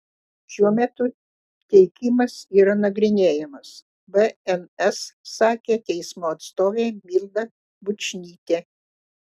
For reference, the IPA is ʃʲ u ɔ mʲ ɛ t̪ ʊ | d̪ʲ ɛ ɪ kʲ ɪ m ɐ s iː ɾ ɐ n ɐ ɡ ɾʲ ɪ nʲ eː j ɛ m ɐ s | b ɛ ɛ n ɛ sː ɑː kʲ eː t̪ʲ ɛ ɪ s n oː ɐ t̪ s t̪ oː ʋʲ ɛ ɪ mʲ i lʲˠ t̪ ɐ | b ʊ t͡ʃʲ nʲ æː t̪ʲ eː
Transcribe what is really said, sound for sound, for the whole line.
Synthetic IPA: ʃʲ u ɔ mʲ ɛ t̪ ʊ | t̪ʲ ɛ ɪ kʲ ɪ m ɐ s iː ɾ ɐ n ɐ ɡ ɾʲ ɪ nʲ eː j ɛ m ɐ s | b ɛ ɛ n ɛ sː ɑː kʲ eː t̪ʲ ɛ ɪ s m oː ɐ t̪ s t̪ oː ʋʲ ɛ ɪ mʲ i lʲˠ d̪ ɐ | b ʊ t͡ʃʲ nʲ iː t̪ʲ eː